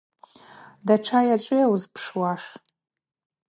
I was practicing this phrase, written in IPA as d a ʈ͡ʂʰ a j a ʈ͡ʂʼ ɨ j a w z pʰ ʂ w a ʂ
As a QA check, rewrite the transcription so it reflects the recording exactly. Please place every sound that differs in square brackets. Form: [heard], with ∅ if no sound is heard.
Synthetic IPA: d a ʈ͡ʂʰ a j a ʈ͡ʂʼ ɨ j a w z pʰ ʂ w a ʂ

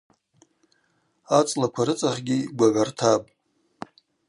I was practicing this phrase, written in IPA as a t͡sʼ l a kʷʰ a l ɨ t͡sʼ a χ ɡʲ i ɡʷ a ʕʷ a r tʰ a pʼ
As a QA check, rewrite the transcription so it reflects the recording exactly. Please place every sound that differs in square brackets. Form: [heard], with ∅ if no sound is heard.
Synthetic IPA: a t͡sʼ l a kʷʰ a [ɾ] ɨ t͡sʼ a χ ɡʲ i ɡʷ a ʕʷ a r tʰ a pʼ

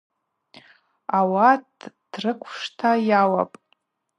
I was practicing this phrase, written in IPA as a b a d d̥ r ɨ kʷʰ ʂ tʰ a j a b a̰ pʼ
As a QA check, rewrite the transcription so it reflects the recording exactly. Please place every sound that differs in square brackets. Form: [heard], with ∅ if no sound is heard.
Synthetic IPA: a [w] a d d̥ r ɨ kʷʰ ʂ tʰ a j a [w] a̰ pʼ

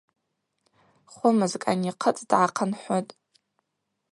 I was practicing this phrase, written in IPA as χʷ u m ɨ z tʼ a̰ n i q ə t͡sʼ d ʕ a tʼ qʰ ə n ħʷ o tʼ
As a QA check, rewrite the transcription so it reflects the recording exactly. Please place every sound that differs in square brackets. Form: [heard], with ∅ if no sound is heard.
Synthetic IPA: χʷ [ʊ] m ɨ z [kʼ] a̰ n i [qʰ] ə t͡sʼ d ʕ a [∅] qʰ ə n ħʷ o tʼ

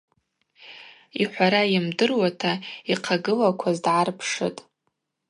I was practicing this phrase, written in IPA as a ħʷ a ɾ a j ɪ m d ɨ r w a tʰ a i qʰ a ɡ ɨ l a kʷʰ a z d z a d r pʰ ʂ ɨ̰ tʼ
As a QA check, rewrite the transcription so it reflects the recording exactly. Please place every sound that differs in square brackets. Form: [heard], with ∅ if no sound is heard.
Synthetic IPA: [i] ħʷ a ɾ a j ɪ m d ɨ r w a tʰ a i qʰ a ɡ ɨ l a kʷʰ a z d [ʕ] a [∅] r pʰ ʂ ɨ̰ tʼ

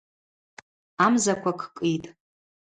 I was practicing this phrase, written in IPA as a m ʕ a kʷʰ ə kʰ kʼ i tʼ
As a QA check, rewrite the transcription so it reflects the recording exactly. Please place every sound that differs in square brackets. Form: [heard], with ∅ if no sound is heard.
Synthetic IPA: a m [z] a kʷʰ [a] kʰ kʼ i tʼ

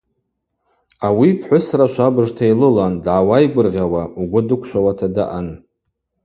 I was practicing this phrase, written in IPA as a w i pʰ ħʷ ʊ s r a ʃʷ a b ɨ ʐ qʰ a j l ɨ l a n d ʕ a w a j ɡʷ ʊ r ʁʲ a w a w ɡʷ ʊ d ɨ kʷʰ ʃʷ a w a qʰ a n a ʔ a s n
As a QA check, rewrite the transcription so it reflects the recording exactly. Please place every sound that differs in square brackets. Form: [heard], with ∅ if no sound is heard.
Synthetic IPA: a w i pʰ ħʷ ʊ s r a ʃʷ a b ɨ ʐ [tʰ] a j l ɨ l a n d ʕ a w a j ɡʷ ʊ r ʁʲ a w a [u] ɡʷ ʊ d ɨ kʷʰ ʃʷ a w a [tʰ] a [d] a ʔ a [∅] n

